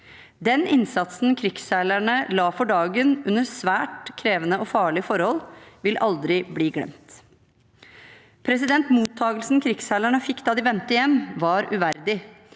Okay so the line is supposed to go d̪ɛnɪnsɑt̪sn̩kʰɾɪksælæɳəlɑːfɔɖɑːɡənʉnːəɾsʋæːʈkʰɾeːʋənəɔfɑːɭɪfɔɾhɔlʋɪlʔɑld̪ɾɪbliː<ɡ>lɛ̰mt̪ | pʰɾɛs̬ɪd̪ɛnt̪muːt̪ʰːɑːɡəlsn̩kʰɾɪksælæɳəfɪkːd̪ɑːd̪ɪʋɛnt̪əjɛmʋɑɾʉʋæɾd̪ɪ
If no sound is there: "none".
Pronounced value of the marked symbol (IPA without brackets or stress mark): ɡ